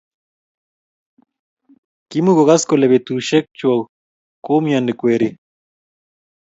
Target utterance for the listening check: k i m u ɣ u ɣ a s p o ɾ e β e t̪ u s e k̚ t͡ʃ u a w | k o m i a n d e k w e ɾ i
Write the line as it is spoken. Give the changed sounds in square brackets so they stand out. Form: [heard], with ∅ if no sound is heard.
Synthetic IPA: k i m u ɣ [o] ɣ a s [k] o [l] e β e t̪ u [ʃ] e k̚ t͡ʃ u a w | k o m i a n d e k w e ɾ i